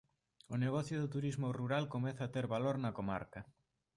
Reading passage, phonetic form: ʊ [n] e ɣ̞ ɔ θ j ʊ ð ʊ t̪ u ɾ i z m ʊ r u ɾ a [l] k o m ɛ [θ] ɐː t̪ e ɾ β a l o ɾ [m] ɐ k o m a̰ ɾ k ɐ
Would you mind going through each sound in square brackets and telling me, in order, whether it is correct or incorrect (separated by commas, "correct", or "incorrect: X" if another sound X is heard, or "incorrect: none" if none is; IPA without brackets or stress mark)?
correct, correct, correct, incorrect: n